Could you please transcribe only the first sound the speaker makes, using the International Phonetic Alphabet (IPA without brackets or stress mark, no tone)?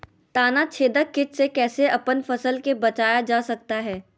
t̪